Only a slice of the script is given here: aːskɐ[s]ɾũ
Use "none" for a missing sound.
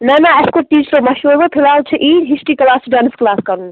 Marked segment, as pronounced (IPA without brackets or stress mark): none